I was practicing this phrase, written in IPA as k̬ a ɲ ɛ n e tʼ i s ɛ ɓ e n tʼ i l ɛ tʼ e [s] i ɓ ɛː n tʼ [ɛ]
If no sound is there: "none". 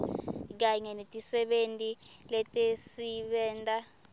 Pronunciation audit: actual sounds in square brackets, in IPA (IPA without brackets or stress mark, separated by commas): s, a